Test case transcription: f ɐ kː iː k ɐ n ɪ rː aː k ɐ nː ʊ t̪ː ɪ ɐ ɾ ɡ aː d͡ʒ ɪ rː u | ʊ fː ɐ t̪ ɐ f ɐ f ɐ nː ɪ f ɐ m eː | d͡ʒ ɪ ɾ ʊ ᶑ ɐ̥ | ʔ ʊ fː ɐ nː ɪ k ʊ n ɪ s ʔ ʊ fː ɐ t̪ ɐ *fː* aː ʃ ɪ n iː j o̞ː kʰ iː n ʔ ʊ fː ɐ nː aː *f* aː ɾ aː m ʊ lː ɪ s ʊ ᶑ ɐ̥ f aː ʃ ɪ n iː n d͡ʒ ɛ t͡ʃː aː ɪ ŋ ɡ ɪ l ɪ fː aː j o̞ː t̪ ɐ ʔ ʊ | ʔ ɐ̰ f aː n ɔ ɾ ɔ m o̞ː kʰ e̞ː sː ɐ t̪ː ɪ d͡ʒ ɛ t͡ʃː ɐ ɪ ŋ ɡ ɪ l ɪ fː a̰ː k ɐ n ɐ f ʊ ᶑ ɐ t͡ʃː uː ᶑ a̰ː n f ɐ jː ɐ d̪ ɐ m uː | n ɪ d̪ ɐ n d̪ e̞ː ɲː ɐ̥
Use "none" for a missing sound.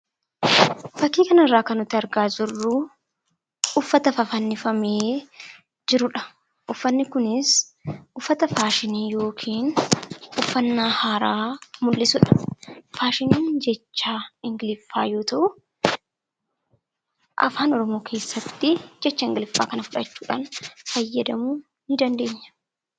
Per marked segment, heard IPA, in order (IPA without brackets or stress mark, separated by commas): f, h